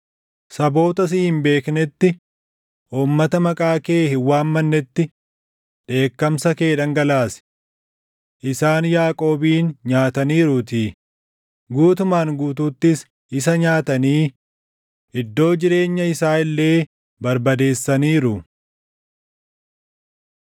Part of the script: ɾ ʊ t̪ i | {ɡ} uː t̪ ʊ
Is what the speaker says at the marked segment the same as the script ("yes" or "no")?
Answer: yes